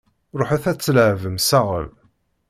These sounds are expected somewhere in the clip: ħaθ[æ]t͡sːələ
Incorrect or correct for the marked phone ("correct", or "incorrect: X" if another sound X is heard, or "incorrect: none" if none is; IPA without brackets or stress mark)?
correct